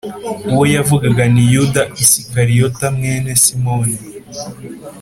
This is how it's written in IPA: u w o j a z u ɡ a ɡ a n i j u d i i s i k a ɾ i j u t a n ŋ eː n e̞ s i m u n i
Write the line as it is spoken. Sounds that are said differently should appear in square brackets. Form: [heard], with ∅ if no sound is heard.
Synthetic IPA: u w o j a [v] u ɡ a ɡ a n i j u d [a] i s i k a ɾ i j [o] t a [m] ŋ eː n e̞ s i m [o] n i